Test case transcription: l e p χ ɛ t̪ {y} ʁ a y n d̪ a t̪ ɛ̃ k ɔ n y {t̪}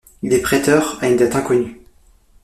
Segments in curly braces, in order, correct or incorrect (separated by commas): incorrect, incorrect